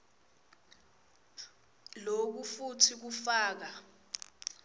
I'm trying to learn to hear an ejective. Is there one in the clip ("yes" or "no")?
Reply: no